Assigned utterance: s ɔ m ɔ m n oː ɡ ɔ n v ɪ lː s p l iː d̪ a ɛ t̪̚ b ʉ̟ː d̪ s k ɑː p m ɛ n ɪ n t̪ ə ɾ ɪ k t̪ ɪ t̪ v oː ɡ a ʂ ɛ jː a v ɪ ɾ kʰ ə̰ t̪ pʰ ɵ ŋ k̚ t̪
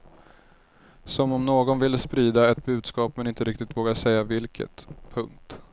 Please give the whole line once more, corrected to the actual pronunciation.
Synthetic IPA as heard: s ɔ m ɔ m n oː ɡ ɔ n v ɪ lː s p ɾ iː d̪ a ɛ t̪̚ b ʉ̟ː d̪ s k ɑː p m ɛ n ɪ n t̪ ə ɾ ɪ k t̪ ɪ t̪ v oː ɡ a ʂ ɛ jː a v ɪ l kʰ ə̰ t̪ pʰ ɵ ŋ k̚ t̪

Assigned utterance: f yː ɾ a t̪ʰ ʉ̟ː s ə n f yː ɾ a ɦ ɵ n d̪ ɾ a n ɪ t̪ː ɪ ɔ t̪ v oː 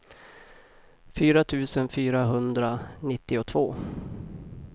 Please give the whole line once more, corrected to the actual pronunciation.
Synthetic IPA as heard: f yː ɾ a t̪ʰ ʉ̟ː s ə n f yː ɾ a ɦ ɵ n d̪ ɾ a n ɪ t̪ː ɪ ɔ t̪ʰ v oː

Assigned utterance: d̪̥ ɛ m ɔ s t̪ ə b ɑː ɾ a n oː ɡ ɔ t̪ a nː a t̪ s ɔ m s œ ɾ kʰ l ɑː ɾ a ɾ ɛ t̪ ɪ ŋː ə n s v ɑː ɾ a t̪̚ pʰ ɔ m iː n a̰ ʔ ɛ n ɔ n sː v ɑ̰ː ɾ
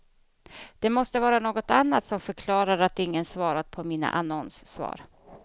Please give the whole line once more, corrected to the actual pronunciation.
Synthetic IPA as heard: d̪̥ ɛ m ɔ s t̪ ə v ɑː ɾ a n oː ɡ ɔ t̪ a nː a t̪ s ɔ m f œ ɾ kʰ l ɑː ɾ a ɾ a t̪ ɪ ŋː ə n s v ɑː ɾ a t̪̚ pʰ ɔ m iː n a̰ ʔ a n ɔ n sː v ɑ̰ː ɾ

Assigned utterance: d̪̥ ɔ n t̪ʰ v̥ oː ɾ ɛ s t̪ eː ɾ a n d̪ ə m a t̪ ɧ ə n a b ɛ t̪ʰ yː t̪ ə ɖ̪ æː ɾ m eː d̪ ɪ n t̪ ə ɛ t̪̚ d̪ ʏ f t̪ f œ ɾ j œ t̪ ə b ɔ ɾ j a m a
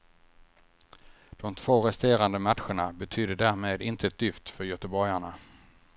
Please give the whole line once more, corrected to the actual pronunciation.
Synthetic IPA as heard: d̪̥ ɔ m t̪ʰ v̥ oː ɾ ɛ s t̪ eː ɾ a n d̪ ə m a t̪ ɧ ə ɳ a b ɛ t̪ʰ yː d̪ ə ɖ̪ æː ɾ m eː d̪ ɪ n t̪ ə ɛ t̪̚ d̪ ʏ f t̪ f œ ɾ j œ t̪ ə b ɔ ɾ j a ɳ a

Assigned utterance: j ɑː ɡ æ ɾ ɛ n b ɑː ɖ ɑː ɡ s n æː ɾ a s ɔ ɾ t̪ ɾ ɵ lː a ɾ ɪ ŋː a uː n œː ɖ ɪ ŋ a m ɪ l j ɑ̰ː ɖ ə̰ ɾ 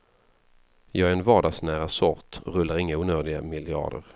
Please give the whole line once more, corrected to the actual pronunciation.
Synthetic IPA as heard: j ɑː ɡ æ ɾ ɛ n v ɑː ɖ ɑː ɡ s n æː ɾ a s ɔ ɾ t̪ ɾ ɵ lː a ɾ ɪ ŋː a uː n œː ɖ ɪ ɡ a m ɪ l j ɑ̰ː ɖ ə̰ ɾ

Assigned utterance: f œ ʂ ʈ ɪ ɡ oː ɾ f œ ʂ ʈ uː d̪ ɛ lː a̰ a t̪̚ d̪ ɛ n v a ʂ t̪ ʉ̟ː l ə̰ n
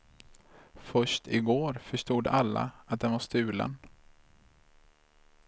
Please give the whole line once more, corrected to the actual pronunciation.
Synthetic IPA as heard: f œ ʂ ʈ ɪ ɡ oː ɾ f œ ʂ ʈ uː d̪ a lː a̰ a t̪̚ d̪ ɛ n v a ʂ t̪ ʉ̟ː l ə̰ n

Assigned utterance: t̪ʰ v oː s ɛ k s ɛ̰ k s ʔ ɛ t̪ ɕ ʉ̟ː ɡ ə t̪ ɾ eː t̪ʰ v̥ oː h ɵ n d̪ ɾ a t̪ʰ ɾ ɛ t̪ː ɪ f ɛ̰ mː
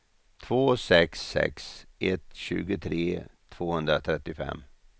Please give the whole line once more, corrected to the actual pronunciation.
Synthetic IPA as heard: t̪ʰ v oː s ɛ k s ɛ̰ k s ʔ ɛ t̪ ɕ ʉ̟ː ɡ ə t̪ʰ ɾ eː t̪ʰ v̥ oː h ɵ n d̪ ɾ a t̪ʰ ɾ ɛ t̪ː ɪ f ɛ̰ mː

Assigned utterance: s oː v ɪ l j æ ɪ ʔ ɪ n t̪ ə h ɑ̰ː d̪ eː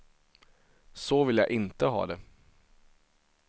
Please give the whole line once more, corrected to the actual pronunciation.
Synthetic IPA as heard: s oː ʋ ɪ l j æ ɪ ʔ ɪ n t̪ ə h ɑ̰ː d̪ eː

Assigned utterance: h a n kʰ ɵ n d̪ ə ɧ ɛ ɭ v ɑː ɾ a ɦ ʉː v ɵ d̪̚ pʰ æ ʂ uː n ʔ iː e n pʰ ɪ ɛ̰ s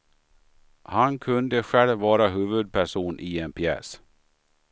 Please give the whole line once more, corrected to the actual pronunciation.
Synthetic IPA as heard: h a n kʰ ɵ n d̪ ə ɧ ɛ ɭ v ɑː ɾ a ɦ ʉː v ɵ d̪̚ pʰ æ ʂ uː n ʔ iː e n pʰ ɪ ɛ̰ s

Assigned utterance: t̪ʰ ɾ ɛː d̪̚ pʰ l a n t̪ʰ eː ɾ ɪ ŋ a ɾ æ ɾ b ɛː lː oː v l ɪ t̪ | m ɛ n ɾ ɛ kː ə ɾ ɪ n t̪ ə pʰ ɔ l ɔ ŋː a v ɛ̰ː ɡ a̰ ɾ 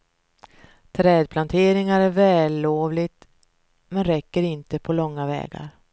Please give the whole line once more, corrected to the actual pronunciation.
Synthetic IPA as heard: t̪ʰ ɾ ɛː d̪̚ pʰ l a n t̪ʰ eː ɾ ɪ ŋ a ɾ æ ɾ v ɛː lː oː v l ɪ t̪ | m ɛ n ɾ ɛ kː ə ɾ ɪ n t̪ ə pʰ ɔ l ɔ ŋː a v ɛ̰ː ɡ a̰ ɾ

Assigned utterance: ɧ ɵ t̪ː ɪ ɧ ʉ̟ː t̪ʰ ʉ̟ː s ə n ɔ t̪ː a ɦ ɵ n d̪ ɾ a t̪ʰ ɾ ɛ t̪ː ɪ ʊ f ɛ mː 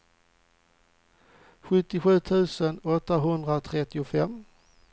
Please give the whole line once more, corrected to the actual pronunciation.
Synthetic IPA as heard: ɧ ɵ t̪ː ɪ ɧ ʉ̟ː t̪ʰ ʉ̟ː s ə n ɔ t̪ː a ɦ ɵ n d̪ ɾ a t̪ʰ ɾ ɛ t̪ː ɪ ʊ f ɛ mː

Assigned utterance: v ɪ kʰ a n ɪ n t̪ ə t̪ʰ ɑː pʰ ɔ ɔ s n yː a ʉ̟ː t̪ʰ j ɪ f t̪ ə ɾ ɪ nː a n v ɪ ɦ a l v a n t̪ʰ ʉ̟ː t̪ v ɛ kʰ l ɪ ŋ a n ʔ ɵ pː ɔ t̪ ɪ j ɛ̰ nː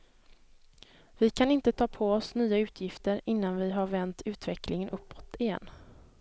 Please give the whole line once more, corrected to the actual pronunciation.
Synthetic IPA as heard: v ɪ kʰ a n ɪ n t̪ ə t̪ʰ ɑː pʰ ɔ ɔ s n yː a ʉ̟ː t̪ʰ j ɪ f t̪ ə ɾ ɪ nː a n v ɪ ɦ a ɾ v ɛ n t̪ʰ ʉ̟ː t̪ v ɛ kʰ l ɪ ŋ ə n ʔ ɵ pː ɔ t̪ ɪ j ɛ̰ nː

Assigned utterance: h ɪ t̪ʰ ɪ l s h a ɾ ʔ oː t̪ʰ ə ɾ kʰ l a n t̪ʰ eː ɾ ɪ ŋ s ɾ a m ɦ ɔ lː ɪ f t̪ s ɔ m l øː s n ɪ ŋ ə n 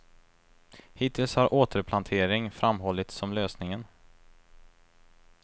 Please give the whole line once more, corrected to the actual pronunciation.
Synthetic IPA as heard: h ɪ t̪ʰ ɪ l s h a ɾ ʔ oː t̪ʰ ə ɾ pʰ l a n t̪ʰ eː ɾ ɪ ŋ f ɾ a m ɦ ɔ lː ɪ t̪ s ɔ m l øː s n ɪ ŋ ə n

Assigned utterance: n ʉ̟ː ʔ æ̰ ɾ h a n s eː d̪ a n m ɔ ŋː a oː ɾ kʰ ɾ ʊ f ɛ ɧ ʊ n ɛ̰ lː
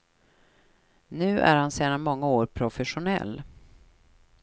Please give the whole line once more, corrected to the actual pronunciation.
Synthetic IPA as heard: n ʉ̟ː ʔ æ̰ ɾ h a n s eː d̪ a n m ɔ ŋː a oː ɾ pʰ ɾ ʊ f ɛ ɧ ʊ n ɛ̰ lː

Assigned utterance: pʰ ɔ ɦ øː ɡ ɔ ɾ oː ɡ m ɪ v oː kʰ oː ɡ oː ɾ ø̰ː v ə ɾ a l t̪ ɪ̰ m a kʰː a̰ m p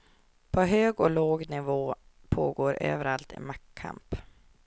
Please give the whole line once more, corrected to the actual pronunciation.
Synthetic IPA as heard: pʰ ɔ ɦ øː ɡ ɔ l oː ɡ n ɪ v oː pʰ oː ɡ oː ɾ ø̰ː v ə ɾ a l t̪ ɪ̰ m a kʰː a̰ m p

